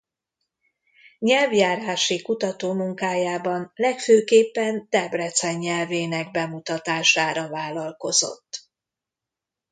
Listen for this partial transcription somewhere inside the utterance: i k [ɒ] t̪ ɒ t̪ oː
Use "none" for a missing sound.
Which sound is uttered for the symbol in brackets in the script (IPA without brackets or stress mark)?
u